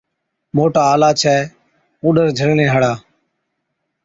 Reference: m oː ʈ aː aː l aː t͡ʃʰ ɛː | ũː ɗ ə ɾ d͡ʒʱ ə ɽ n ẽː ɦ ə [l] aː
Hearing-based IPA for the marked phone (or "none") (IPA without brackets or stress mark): ɽ